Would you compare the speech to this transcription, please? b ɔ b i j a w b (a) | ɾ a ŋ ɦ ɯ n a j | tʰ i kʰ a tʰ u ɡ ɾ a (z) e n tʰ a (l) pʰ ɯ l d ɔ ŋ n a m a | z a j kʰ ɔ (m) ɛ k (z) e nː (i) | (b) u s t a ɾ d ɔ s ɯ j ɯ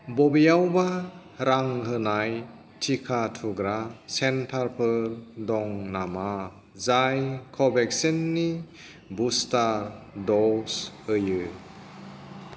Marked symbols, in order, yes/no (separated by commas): yes, no, no, no, no, yes, yes